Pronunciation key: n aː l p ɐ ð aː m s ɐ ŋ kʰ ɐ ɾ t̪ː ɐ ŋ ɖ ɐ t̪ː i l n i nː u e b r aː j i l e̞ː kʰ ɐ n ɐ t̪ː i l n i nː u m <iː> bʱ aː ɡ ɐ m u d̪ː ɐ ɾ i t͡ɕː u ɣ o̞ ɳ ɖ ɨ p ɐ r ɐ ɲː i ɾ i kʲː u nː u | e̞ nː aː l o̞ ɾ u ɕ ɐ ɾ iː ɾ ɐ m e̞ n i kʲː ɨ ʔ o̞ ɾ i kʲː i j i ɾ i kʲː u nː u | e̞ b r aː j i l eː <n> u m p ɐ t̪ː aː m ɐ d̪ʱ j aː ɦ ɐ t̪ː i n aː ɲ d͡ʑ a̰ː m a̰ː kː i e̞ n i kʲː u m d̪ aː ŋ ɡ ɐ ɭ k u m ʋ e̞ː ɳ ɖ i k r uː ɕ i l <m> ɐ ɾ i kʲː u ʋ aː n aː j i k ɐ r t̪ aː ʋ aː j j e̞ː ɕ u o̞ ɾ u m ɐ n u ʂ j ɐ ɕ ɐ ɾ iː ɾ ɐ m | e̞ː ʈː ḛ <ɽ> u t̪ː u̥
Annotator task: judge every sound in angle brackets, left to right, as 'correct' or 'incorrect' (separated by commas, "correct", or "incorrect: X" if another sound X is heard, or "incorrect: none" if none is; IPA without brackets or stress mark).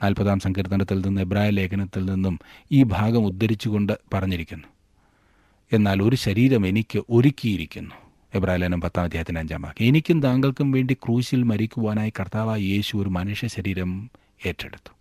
correct, correct, correct, correct